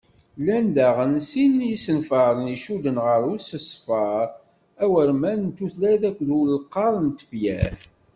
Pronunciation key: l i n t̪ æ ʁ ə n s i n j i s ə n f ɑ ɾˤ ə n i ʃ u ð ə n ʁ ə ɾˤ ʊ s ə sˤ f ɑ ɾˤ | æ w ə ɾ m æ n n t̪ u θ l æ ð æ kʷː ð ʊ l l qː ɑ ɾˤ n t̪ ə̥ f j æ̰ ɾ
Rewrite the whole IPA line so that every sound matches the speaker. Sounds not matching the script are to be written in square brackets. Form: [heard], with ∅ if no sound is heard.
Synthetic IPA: l [æ] n [d̪] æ ʁ ə n s i n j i s ə n f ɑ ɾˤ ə n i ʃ u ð ə n ʁ ə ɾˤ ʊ s ə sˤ f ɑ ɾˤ | æ w ə ɾ m æ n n t̪ u θ l æ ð æ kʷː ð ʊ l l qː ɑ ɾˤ n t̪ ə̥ f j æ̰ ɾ